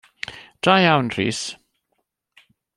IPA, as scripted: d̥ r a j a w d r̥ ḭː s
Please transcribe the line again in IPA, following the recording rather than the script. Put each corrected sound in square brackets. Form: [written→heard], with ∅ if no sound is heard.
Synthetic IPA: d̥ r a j a w [d→n] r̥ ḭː s